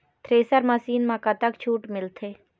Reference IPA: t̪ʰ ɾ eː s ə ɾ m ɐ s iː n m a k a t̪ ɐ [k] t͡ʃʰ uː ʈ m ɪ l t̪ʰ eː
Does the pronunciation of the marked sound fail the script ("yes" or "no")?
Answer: no